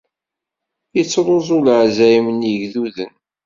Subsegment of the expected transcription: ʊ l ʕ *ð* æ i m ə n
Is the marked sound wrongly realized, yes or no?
yes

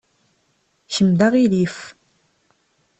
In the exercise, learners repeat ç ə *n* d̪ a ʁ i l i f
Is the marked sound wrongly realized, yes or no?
yes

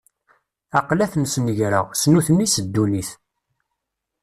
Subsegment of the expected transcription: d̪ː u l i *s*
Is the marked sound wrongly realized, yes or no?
yes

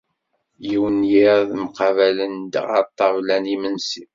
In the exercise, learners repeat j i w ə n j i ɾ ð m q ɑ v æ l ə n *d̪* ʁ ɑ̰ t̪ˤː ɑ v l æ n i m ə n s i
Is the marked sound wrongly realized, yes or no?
no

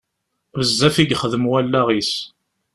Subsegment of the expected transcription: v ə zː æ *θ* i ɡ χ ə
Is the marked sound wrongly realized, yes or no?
yes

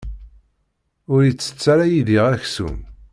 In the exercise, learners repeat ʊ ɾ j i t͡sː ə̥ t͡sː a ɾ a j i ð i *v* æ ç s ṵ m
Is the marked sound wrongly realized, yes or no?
yes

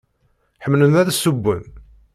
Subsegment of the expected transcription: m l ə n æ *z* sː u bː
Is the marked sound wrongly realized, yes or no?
yes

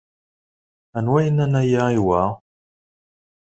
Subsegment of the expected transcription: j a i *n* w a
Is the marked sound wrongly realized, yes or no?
yes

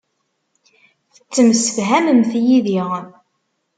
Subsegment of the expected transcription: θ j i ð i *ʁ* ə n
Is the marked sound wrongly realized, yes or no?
no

